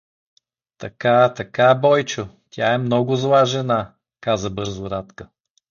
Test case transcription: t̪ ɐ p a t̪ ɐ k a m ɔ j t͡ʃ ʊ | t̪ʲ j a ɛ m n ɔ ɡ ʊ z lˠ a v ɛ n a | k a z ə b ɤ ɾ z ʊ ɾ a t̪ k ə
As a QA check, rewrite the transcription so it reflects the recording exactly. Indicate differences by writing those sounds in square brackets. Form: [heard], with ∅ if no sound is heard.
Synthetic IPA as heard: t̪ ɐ [k] a t̪ ɐ k a [b] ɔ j t͡ʃ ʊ | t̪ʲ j a ɛ m n ɔ ɡ ʊ z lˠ a [ʒ] ɛ n a | k a z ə b ɤ ɾ z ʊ ɾ a t̪ k ə